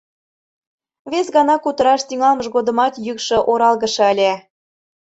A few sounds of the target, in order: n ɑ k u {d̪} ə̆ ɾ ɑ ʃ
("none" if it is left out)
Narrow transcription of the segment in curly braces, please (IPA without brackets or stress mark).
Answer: t̪